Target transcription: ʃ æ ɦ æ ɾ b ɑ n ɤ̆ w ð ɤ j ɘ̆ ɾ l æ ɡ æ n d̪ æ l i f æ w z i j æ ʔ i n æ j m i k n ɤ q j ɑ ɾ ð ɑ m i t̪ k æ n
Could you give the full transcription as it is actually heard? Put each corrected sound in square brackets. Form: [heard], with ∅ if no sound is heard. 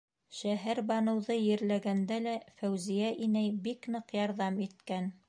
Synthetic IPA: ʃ æ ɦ æ ɾ b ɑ n ɤ̆ w ð ɤ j ɘ̆ ɾ l æ ɡ æ n d̪ æ l [æ] f æ w z i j æ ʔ i n æ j [b] i k n ɤ q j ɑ ɾ ð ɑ m i t̪ k æ n